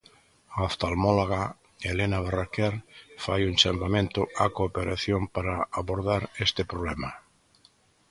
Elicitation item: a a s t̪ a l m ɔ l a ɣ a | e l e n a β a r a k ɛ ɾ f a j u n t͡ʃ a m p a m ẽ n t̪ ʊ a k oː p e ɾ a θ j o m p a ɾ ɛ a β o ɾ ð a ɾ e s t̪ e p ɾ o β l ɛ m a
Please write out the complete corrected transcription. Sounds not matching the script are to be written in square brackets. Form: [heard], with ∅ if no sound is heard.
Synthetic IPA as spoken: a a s t̪ a l m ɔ l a ɣ a | e l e n a β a r a k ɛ ɾ f a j u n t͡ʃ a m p a m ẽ n t̪ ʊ a k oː p e ɾ a θ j o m p a ɾ [a] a β o ɾ ð a ɾ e s t̪ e p ɾ o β l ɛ m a